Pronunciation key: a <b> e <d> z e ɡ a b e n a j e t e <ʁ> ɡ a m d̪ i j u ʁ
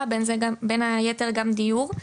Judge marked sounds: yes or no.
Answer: yes, no, yes

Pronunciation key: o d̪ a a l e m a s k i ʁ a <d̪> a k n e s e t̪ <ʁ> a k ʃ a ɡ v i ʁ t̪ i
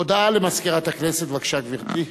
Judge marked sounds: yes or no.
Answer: no, no

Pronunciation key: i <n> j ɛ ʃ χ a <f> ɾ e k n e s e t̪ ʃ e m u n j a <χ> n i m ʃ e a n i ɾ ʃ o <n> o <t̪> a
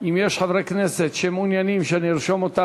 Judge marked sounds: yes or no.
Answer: no, no, no, no, yes

